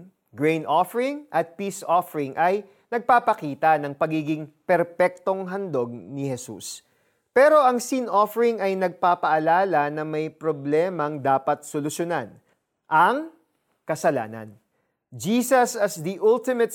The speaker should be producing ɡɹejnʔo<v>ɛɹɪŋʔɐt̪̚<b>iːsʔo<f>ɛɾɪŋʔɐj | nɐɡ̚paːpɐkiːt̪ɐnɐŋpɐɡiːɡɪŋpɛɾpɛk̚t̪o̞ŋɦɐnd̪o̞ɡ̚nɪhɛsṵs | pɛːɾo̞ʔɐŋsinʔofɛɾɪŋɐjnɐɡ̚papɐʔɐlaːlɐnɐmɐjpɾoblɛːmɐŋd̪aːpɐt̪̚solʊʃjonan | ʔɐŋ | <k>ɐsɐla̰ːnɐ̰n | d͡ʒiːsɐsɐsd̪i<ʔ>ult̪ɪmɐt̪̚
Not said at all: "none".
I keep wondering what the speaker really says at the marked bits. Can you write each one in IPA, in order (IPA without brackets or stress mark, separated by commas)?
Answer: f, p, f, k, ʔ